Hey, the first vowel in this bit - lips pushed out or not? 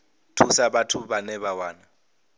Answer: yes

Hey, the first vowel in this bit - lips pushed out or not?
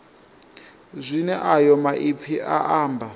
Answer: no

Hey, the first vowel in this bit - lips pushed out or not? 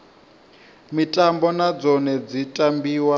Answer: no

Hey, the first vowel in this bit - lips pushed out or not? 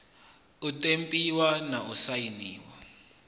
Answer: yes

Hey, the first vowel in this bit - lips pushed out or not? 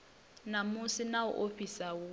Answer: no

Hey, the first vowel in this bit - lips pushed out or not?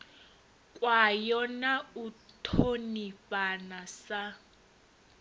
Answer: no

